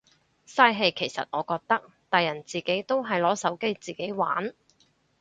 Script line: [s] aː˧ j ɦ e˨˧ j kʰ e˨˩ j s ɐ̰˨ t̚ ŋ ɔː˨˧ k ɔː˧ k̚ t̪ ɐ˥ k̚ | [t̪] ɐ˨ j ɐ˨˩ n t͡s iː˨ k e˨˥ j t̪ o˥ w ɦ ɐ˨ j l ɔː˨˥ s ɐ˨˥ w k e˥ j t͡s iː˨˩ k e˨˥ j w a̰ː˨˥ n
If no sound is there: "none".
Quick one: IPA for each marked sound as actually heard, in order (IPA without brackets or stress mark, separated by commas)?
s, t̪